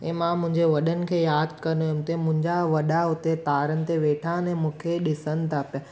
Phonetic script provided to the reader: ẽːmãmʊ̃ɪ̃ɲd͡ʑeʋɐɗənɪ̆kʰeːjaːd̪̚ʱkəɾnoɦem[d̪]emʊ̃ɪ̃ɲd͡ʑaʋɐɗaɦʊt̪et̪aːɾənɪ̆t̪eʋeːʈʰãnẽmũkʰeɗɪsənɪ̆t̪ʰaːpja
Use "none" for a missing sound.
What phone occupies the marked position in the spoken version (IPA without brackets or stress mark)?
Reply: t̪